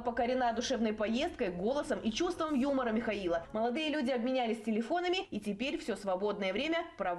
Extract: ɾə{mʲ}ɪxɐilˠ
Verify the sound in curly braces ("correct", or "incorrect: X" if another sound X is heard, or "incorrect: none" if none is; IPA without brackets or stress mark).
correct